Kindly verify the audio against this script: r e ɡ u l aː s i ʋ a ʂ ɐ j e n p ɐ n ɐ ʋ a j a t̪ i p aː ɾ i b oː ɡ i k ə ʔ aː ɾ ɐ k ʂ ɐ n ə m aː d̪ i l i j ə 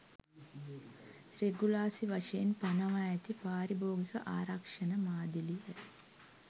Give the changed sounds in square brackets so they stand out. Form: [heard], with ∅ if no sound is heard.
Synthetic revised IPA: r e ɡ u l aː s i ʋ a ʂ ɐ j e n p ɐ n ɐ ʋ a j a t̪ i p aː ɾ i b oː ɡ i k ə ʔ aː ɾ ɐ k ʂ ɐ n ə m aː d̪ i l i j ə